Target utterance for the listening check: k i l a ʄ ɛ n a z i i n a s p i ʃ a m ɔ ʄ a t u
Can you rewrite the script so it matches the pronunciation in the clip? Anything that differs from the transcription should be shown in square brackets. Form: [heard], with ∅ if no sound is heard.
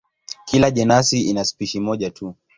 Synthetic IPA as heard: k i l a ʄ ɛ n a [s] i i n a s p i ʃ [i] m ɔ ʄ a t u